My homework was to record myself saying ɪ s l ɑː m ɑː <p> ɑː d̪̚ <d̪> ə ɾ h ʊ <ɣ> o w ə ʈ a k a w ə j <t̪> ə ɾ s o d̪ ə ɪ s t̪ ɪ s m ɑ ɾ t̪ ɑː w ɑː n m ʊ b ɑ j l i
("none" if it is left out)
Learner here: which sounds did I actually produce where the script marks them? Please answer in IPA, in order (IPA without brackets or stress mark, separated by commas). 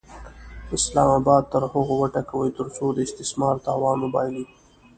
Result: b, t̪, ɣ, t̪